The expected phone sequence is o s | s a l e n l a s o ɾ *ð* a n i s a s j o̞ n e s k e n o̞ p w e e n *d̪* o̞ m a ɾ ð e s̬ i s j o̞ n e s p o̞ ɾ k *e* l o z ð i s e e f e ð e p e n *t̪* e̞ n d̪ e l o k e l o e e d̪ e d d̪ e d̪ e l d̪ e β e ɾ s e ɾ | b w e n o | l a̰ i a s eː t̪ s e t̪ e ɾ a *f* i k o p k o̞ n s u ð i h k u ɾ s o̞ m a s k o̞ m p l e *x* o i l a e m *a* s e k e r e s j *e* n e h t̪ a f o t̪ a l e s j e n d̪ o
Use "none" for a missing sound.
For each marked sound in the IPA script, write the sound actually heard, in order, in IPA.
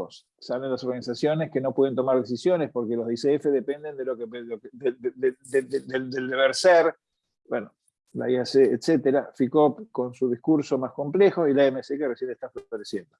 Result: ɣ, t̪, e, d̪, f, x, e, e

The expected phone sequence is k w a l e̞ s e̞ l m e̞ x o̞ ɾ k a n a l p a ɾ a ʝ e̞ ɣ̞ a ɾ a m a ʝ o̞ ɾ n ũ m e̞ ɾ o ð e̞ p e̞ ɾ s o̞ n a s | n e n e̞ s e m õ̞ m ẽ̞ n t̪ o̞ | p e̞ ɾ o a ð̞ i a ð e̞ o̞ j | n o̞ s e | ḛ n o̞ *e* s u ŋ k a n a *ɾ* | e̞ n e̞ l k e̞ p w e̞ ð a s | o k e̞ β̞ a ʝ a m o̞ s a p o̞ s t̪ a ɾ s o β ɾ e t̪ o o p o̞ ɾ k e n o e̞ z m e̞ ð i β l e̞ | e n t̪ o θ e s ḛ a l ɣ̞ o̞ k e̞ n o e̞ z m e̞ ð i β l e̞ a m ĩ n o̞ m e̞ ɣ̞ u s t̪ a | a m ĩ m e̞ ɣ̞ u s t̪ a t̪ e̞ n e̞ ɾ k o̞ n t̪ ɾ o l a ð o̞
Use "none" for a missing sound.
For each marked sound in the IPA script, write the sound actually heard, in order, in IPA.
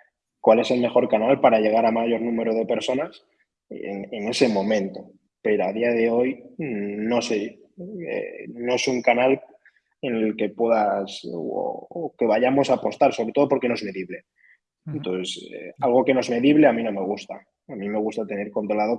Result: e, l

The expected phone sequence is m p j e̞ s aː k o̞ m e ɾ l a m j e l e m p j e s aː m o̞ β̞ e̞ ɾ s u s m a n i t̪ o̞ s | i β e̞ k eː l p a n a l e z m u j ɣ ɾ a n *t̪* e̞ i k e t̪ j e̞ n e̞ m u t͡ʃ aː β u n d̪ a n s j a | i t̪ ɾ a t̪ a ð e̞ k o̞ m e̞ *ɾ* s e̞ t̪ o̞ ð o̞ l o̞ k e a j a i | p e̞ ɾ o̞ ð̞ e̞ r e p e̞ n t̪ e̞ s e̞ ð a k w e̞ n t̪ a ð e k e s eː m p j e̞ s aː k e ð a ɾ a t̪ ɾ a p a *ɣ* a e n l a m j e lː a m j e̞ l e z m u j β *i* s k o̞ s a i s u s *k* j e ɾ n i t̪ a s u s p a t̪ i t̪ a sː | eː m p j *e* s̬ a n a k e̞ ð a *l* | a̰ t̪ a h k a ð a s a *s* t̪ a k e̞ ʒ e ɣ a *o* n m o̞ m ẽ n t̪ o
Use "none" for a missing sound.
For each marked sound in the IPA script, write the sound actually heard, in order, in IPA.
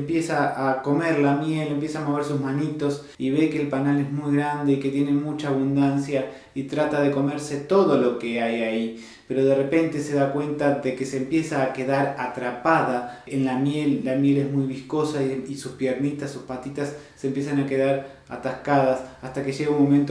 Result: d̪, ɾ, ð, i, p, e, ɾ, s, u

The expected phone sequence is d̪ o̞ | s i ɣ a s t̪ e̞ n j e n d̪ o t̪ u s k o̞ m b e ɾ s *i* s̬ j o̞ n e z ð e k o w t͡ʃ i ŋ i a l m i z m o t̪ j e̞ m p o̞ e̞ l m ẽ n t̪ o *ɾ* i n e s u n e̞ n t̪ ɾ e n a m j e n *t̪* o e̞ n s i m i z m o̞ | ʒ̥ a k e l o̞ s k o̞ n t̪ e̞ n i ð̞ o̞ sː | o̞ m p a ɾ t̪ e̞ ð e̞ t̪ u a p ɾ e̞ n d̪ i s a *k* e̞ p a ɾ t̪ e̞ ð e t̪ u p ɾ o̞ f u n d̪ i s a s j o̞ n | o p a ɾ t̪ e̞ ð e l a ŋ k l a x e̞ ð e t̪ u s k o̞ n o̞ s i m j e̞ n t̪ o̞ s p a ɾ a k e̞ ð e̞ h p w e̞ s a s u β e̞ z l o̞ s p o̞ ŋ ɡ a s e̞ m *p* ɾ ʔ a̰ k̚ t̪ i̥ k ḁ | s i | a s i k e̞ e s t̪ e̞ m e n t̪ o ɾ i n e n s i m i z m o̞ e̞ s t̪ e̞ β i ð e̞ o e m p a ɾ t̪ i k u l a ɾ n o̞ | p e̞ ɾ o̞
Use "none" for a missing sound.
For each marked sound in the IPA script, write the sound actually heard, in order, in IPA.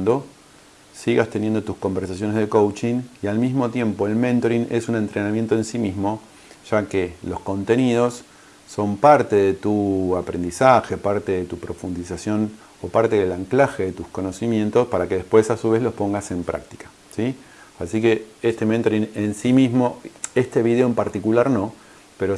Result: a, ɾ, t̪, x, p

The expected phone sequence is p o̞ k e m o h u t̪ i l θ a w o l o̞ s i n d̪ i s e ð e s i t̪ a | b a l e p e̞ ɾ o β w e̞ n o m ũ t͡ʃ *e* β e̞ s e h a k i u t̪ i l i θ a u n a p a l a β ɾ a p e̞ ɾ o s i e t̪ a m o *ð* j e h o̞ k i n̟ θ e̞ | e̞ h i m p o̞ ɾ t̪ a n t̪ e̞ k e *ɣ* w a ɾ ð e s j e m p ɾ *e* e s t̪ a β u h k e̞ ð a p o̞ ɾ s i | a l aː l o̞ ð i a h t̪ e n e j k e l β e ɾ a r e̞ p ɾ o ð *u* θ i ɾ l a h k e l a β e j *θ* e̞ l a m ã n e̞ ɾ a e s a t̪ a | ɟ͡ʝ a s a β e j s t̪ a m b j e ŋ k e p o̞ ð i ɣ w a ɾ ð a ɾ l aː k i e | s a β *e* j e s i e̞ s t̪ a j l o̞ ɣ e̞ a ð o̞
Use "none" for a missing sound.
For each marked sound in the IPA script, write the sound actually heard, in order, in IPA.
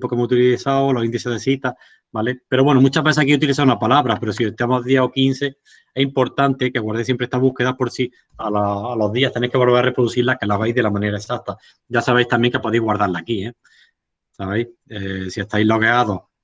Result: a, ð, ɣ, e, u, ð, e

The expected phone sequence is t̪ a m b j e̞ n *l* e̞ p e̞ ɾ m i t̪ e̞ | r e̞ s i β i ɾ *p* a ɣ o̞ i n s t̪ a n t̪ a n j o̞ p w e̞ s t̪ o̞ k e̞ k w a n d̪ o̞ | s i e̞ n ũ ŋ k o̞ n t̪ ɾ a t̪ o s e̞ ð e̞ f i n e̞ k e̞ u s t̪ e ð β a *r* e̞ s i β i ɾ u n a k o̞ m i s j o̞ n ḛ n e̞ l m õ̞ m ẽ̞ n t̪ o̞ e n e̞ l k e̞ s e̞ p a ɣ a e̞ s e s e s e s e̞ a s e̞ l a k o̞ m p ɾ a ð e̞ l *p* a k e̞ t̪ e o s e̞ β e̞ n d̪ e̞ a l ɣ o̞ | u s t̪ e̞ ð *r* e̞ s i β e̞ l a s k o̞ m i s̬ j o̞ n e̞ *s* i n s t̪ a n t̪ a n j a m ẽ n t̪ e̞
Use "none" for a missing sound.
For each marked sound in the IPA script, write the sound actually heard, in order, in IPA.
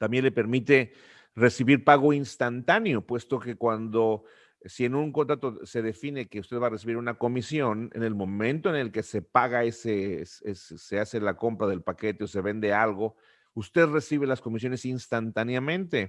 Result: l, p, r, p, r, s

